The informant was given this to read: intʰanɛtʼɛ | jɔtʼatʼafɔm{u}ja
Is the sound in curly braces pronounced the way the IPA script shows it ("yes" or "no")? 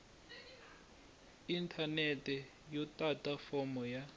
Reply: no